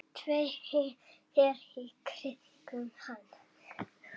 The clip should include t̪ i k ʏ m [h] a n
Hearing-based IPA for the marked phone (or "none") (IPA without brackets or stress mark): h